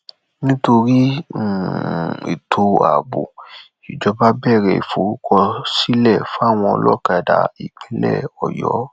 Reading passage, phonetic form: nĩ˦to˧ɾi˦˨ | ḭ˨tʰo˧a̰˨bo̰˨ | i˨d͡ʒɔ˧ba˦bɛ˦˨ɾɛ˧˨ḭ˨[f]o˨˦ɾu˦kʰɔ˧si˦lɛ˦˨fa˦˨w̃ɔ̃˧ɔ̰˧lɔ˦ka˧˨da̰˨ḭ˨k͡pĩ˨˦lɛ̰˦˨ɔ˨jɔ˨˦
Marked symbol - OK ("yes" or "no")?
yes